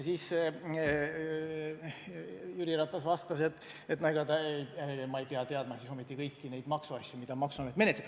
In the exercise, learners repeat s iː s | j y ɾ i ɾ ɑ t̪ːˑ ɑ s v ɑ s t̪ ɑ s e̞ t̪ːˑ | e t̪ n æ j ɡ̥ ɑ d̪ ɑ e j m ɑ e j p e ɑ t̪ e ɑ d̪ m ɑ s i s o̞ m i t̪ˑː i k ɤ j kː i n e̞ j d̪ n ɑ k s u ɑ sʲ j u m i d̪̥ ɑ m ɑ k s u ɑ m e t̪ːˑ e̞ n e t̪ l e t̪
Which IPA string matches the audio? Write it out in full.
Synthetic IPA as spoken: s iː s | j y ɾ i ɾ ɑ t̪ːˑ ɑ s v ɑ s t̪ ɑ s e̞ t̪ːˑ | e t̪ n æ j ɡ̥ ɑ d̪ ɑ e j m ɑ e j p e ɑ t̪ e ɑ d̪ m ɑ s i s o̞ m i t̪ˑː i k ɤ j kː i n e̞ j d̪ m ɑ k s u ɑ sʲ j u m i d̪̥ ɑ m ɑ k s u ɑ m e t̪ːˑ e̞ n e t̪ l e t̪